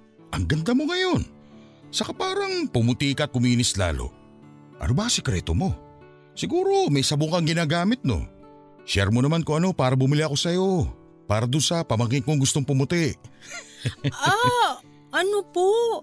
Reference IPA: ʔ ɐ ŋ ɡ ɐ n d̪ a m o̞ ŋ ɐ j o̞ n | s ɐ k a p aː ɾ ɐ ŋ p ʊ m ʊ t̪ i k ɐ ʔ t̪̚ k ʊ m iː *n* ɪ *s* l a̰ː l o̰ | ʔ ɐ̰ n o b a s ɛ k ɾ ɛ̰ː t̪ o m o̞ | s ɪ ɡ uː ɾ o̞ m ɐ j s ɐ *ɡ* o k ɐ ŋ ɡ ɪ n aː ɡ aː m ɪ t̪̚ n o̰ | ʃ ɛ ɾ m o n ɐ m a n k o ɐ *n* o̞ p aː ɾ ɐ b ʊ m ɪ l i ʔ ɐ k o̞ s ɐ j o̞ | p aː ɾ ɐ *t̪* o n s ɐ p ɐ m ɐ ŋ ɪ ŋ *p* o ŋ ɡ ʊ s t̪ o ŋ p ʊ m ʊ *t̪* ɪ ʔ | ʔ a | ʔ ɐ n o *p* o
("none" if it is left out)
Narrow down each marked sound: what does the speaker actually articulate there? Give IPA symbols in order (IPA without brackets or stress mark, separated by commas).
n, s, b, n, d̪, k, t̪, p